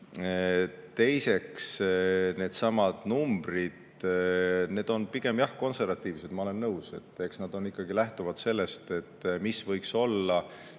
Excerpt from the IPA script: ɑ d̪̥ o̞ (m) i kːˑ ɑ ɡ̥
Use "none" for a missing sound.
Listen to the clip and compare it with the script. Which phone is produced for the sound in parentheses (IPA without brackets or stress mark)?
n